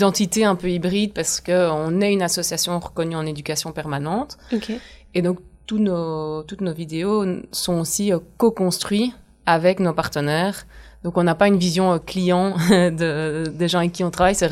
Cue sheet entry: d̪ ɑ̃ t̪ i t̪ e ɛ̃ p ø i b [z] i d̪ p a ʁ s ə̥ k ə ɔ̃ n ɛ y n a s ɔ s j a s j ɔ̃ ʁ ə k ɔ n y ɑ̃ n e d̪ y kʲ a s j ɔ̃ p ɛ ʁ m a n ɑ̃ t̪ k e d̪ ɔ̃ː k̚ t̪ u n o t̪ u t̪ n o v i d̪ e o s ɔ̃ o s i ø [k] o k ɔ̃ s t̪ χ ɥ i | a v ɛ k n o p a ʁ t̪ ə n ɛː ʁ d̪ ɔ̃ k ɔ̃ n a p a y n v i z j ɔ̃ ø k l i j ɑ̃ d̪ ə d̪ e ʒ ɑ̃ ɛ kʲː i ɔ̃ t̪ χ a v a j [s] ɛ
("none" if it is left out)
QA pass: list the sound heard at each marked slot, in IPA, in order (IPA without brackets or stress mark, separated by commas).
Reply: ʁ, k, s